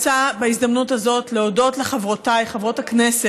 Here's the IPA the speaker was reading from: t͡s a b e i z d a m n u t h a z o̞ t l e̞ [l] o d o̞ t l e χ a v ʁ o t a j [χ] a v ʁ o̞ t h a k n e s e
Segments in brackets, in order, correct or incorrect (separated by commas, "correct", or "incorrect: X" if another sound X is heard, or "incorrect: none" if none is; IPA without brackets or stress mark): incorrect: none, correct